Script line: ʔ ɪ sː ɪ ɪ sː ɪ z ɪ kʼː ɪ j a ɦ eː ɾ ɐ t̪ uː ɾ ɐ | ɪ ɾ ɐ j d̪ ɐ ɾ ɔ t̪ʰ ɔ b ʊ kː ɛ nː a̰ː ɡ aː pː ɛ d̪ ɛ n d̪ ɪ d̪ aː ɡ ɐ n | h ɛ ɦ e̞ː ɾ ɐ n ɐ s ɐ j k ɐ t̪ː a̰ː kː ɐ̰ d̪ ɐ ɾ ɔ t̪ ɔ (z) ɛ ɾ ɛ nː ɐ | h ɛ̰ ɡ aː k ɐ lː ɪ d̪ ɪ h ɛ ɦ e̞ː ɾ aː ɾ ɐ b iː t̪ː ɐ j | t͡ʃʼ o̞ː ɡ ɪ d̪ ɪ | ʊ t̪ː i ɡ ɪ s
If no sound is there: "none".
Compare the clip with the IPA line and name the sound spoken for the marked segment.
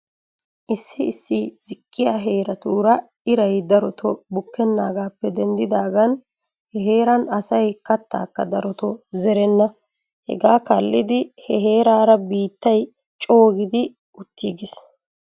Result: z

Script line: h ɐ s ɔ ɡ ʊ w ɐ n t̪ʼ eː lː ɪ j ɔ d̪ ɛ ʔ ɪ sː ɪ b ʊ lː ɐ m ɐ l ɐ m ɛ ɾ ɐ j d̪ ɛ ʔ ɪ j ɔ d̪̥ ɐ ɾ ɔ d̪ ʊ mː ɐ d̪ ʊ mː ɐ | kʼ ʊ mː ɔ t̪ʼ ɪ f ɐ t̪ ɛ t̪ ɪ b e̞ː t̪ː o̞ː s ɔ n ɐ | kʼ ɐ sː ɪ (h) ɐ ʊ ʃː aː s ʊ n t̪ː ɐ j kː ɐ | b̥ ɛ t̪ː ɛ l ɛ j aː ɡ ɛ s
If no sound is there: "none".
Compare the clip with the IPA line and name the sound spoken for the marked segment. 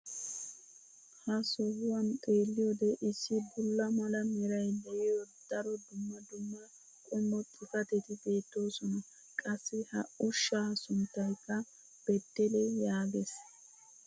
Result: h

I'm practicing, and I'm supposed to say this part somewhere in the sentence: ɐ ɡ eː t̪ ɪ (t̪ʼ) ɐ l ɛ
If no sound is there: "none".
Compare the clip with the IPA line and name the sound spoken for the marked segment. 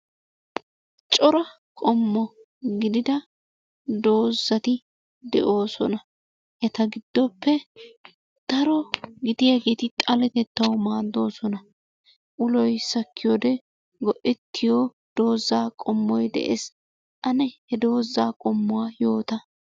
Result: t̪ʼ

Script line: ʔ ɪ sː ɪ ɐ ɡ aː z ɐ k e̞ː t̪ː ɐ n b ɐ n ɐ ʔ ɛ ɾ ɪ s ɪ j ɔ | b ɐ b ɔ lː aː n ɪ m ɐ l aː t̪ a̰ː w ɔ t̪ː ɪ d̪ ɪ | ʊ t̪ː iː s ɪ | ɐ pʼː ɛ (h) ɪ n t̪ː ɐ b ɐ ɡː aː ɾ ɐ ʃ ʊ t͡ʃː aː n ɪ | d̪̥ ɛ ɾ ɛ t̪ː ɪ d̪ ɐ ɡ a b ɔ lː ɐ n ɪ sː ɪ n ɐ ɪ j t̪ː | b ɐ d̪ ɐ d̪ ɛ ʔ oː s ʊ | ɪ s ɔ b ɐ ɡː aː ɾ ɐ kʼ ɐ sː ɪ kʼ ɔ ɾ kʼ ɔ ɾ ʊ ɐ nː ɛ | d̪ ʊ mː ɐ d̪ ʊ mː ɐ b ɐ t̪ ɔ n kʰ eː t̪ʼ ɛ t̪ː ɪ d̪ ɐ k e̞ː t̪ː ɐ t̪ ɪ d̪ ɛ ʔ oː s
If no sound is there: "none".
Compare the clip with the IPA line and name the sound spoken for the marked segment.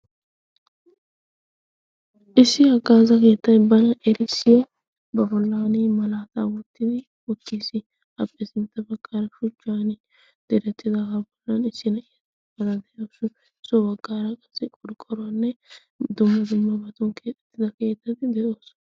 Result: s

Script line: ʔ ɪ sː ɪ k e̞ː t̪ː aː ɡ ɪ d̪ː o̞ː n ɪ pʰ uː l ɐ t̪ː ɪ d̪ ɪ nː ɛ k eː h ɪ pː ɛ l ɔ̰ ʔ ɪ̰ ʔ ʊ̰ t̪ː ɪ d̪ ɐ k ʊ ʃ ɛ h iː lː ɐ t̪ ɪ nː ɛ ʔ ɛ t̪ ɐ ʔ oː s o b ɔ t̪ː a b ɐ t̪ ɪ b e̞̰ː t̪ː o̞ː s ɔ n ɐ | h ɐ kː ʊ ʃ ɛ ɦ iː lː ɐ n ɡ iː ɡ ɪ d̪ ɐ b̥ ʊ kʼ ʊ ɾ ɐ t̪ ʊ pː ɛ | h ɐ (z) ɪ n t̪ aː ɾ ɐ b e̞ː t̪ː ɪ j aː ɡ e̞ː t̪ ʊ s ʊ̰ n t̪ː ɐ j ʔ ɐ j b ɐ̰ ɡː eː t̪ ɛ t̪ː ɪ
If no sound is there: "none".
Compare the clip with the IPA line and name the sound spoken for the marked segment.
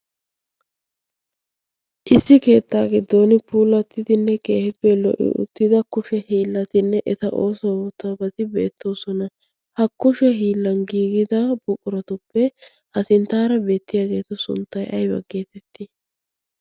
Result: s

